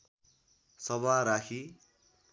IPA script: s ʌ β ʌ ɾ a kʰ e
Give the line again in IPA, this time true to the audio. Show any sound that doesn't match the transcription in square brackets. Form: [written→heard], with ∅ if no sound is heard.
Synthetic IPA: s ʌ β [ʌ→a] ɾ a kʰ [e→i]